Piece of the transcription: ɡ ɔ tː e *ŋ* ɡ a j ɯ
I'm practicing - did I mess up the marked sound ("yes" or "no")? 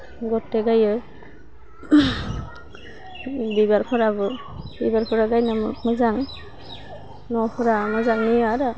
yes